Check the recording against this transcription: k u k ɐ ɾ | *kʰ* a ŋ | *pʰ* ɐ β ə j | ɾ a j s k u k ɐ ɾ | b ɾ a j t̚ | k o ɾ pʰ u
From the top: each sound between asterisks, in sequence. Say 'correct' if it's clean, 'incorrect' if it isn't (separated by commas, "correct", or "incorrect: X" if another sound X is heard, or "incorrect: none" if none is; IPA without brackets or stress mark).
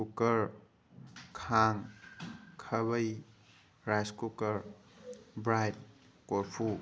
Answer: correct, incorrect: kʰ